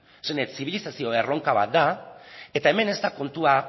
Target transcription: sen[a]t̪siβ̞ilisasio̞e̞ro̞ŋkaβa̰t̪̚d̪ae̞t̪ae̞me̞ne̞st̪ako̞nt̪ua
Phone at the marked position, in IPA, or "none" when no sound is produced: e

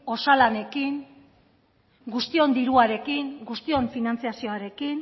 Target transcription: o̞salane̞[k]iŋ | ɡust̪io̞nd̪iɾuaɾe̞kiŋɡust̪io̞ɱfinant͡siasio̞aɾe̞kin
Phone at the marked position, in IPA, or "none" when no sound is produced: k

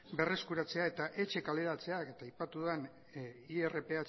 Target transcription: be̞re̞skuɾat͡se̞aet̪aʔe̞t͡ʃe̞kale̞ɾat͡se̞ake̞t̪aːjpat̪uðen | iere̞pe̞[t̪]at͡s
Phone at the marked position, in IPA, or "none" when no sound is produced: none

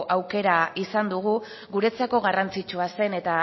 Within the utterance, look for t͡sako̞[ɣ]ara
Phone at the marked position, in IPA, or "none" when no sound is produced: ɣ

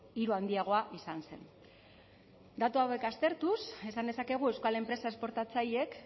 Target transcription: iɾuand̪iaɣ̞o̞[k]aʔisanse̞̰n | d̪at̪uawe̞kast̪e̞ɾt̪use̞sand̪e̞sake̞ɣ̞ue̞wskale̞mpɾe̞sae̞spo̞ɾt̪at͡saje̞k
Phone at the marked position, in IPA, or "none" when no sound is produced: none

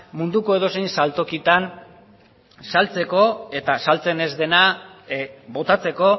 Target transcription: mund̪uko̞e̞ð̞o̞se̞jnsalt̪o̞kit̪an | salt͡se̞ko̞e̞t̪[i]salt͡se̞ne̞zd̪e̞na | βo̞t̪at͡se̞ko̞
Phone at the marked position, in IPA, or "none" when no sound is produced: a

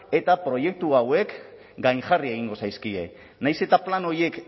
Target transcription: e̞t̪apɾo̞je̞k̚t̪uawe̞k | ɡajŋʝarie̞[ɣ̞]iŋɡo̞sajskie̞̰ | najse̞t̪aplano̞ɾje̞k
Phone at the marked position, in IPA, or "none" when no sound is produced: ɣ̞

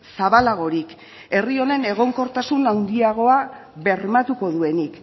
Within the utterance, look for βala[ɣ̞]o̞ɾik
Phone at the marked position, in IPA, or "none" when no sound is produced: ɣ̞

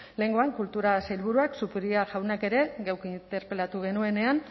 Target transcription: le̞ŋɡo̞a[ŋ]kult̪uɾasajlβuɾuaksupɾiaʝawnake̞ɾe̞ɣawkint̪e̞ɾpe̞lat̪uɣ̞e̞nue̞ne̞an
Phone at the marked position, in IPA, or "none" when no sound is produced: ŋ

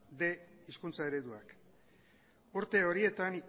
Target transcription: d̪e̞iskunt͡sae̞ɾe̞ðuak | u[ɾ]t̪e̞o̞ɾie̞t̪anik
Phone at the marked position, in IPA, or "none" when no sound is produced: ɾ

